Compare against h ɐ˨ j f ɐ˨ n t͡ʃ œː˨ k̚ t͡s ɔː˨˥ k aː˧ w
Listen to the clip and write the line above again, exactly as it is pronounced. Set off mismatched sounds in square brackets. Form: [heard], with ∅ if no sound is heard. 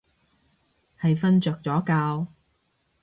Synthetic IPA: h ɐ˨ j f [ɐ˥] n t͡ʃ œː˨ k̚ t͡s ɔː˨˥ k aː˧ w